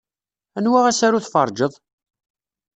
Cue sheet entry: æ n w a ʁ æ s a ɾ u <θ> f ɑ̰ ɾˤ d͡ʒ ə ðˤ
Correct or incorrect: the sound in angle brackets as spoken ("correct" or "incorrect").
correct